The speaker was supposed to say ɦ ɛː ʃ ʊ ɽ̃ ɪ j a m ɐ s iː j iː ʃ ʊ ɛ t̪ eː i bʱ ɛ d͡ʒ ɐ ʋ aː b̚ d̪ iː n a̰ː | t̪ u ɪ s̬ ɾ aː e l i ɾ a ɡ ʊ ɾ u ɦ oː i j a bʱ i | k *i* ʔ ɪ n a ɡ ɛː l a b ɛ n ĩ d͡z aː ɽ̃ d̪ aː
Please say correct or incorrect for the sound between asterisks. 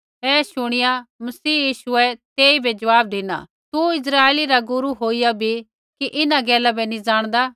correct